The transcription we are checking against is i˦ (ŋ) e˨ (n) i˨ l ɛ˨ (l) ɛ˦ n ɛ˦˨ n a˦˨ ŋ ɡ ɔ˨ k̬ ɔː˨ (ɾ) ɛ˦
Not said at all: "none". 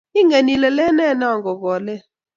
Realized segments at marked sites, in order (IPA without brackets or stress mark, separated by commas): ŋ, n, l, l